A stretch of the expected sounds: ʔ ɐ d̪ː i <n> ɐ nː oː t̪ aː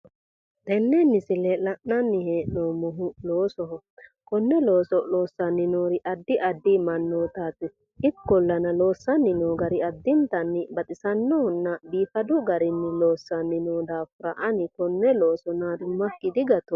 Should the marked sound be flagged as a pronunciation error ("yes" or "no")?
yes